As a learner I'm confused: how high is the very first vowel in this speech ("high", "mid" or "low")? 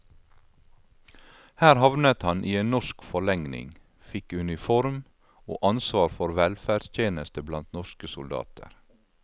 low